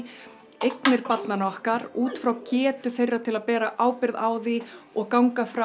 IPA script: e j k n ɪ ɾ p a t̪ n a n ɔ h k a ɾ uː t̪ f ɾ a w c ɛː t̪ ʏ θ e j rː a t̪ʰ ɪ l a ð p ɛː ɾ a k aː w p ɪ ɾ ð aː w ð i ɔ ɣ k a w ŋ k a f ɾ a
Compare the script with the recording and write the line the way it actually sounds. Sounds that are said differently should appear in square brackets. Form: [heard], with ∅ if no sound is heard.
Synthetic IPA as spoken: e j k n ɪ ɾ p a t̪ n a n ɔ h k a ɾ uː t̪ f ɾ a w c ɛː t̪ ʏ θ e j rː a t̪ʰ ɪ l a ð p ɛː ɾ a [ʔ] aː w p ɪ ɾ ð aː w ð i ɔ ɣ k a w ŋ k a f ɾ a